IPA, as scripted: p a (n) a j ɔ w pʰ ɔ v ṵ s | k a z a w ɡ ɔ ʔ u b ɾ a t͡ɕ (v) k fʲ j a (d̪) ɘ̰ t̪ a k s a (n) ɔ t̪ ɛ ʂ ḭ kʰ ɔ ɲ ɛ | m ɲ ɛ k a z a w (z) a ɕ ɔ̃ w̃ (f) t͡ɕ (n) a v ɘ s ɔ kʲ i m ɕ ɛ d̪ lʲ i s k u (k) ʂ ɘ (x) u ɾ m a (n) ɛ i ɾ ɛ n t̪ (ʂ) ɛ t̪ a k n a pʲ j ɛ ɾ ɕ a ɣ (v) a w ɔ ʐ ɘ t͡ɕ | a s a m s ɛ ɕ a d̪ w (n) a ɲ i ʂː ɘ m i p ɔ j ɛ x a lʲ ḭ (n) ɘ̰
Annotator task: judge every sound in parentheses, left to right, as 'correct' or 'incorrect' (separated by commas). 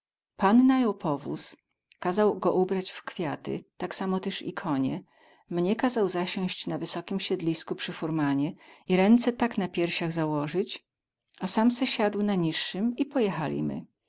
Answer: incorrect, incorrect, incorrect, incorrect, correct, incorrect, correct, incorrect, incorrect, incorrect, incorrect, incorrect, correct, incorrect